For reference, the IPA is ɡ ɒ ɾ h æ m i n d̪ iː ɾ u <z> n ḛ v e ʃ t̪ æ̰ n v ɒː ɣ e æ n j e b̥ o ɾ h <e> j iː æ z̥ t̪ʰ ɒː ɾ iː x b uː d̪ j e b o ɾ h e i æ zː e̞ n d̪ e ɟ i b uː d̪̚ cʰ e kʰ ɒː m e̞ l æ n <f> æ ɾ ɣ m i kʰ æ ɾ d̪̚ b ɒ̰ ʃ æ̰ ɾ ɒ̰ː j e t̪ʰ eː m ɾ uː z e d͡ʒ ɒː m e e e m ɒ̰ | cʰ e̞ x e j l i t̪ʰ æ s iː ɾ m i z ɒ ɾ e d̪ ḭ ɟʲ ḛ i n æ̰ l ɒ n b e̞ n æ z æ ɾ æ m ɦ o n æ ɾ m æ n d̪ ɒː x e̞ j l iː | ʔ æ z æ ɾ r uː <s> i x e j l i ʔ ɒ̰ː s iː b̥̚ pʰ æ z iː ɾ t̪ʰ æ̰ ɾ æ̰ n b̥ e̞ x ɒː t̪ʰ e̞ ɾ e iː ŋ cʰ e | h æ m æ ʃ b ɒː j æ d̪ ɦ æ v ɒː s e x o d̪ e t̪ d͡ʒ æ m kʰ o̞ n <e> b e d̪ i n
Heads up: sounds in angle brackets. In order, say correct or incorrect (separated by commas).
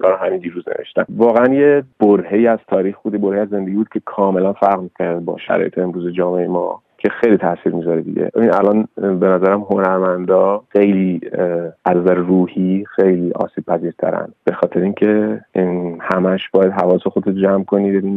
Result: correct, correct, correct, incorrect, incorrect